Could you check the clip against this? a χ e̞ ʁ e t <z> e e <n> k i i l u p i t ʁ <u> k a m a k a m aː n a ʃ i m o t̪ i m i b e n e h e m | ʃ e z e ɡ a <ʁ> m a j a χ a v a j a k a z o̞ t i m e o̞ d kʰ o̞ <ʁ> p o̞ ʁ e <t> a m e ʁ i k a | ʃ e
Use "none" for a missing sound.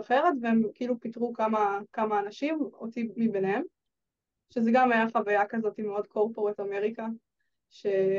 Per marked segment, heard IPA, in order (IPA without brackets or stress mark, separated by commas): v, m, u, none, ʁ, t